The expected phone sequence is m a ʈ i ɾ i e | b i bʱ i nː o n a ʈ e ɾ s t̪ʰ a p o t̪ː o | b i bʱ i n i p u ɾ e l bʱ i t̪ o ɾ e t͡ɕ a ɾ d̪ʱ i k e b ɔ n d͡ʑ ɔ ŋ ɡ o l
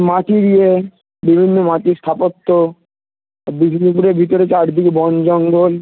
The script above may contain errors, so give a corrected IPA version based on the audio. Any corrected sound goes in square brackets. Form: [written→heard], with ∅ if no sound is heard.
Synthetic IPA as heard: m a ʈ i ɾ i e | b i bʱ i nː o [n→m] a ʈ [e→i] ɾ s t̪ʰ a p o t̪ː o | b i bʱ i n i p u ɾ e [l→ɾ] bʱ i t̪ o ɾ e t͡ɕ a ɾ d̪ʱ i k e b ɔ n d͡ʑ ɔ ŋ ɡ o l